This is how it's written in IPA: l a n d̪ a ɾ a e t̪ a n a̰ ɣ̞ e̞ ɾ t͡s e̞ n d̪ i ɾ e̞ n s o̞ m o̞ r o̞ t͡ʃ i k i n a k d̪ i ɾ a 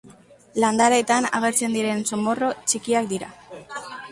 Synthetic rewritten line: l a n d̪ a ɾ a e t̪ a n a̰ ɣ̞ e̞ ɾ t͡s e̞ n d̪ i ɾ e̞ n s o̞ m o̞ r o̞ t͡ʃ i k i a k d̪ i ɾ a